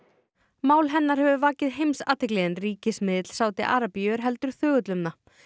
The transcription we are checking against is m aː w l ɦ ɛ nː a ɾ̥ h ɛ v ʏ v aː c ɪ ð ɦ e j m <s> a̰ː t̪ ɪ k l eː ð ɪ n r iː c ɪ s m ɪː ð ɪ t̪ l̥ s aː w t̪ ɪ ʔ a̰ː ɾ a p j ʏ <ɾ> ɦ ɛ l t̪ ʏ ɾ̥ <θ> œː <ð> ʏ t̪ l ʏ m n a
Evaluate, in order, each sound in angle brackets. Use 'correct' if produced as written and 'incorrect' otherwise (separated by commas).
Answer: correct, correct, correct, incorrect